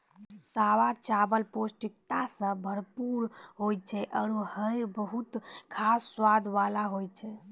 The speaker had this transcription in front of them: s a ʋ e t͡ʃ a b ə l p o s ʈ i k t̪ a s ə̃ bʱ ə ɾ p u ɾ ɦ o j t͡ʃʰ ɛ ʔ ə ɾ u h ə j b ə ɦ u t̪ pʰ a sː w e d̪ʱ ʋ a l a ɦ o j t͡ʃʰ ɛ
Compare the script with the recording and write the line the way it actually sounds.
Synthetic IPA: s a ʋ a t͡ʃ a b ə l p o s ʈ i k t̪ a s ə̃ bʱ ə ɾ p u ɾ ɦ o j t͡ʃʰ ɛ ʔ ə ɾ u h ə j b ə ɦ u t̪ kʰ a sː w a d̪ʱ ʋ a l a ɦ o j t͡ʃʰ ɛ